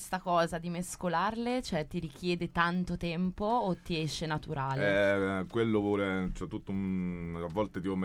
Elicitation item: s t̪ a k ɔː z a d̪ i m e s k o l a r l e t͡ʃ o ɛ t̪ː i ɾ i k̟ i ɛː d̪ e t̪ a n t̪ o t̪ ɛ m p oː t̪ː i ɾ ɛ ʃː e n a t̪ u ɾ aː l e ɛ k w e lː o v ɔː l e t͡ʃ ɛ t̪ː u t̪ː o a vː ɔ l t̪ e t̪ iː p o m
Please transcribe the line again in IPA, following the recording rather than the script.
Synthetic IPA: s t̪ a k ɔː z a d̪ i m e s k o l a r l e t͡ʃ o ɛ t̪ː i ɾ i k̟ j ɛː d̪ e t̪ a n t̪ o t̪ ɛ m p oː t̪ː i ɛ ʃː e n a t̪ u ɾ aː l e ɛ k w e lː o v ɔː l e t͡ʃ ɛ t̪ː u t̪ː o a vː ɔ l t̪ e t̪ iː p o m